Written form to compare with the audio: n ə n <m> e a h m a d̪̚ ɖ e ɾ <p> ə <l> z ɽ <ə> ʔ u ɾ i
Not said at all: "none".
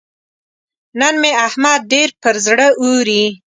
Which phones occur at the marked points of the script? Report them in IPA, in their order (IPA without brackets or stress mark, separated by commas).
m, p, ɾ, ə